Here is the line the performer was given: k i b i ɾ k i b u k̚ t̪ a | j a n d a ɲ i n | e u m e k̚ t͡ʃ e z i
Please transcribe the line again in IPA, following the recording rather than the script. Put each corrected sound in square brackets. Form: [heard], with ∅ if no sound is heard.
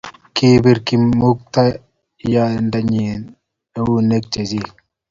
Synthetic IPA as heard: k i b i ɾ k i [m] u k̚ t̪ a | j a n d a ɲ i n | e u [n] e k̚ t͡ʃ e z i